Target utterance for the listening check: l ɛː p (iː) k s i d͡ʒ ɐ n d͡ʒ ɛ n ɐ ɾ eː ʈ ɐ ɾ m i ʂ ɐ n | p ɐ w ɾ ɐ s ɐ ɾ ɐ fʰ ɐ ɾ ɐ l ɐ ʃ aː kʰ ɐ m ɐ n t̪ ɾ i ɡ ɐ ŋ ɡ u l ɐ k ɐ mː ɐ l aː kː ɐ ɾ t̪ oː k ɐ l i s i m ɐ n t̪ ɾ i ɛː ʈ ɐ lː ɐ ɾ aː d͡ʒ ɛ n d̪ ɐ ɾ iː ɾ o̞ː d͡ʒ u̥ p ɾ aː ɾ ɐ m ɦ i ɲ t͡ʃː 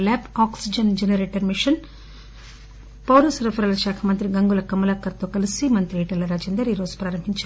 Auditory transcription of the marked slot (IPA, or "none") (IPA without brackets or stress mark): aː